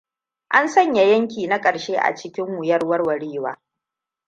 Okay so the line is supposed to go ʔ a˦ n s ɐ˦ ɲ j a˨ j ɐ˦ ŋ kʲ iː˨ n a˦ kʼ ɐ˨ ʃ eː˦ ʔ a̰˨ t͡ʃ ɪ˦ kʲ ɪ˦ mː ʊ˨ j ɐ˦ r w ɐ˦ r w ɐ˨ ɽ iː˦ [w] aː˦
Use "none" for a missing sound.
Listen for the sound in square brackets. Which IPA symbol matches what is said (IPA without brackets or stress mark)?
w